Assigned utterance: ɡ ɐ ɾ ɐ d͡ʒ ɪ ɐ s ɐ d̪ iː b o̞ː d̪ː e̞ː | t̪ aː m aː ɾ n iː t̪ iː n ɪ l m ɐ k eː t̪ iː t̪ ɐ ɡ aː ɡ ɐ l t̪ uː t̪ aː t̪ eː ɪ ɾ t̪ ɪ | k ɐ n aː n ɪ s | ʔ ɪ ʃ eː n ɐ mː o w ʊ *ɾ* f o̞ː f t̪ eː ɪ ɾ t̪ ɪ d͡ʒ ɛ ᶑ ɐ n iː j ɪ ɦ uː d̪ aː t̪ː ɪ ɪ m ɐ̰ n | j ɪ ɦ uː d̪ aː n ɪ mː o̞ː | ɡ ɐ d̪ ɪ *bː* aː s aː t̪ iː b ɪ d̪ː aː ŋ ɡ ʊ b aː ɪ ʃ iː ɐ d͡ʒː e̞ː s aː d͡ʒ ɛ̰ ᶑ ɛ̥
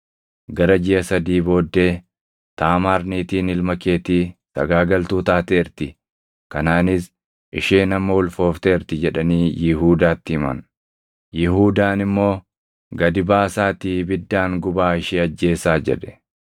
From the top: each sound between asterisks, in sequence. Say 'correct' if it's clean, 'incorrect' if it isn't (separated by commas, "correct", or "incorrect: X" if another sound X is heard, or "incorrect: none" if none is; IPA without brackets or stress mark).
incorrect: l, incorrect: b